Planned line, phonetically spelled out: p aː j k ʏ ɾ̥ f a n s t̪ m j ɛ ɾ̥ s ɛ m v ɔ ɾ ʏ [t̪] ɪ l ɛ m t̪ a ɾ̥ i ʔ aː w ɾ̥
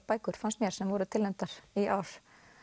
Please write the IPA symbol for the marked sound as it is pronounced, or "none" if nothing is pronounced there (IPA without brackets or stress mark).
t̪ʰ